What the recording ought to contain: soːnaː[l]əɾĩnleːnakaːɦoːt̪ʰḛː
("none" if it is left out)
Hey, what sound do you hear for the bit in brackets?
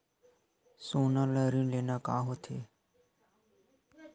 l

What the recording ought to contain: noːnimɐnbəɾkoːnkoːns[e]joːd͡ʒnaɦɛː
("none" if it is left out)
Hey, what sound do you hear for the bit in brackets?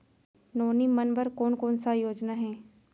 a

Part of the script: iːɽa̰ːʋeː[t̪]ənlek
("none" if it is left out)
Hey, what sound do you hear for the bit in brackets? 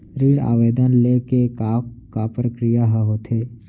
d̪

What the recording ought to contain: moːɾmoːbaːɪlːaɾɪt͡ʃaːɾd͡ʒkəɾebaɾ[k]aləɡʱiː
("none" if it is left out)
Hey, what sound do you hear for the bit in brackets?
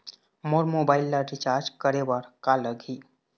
k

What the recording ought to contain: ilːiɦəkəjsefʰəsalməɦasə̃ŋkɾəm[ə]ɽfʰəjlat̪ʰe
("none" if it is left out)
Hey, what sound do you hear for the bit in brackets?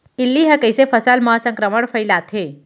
ə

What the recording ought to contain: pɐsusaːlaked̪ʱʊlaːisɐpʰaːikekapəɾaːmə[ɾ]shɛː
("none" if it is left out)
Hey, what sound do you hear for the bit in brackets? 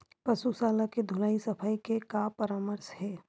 ɾ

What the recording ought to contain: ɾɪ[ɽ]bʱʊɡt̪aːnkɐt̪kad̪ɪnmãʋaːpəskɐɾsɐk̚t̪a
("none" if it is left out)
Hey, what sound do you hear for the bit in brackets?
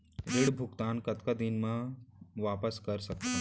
ɽ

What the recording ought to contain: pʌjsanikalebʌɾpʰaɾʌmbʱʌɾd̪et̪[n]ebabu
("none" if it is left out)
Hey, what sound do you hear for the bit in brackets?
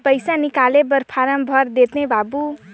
n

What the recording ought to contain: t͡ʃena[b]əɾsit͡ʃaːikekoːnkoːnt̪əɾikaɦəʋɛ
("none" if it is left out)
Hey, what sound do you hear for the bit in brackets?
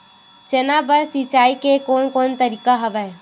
b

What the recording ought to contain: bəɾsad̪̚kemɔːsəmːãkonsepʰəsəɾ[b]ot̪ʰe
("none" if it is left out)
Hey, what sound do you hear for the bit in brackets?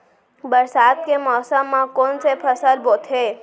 b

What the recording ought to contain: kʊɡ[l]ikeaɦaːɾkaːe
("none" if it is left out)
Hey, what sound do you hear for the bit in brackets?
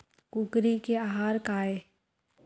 ɾ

